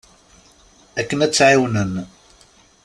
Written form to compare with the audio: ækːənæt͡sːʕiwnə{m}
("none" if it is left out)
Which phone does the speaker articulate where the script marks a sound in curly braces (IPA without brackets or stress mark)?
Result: n